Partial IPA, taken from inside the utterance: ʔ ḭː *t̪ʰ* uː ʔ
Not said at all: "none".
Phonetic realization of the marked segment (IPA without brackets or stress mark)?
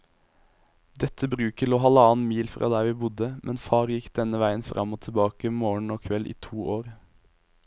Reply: t̪ʰ